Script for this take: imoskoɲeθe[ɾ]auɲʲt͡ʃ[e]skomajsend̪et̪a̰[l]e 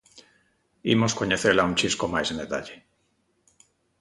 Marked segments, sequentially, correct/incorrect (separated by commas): incorrect, incorrect, incorrect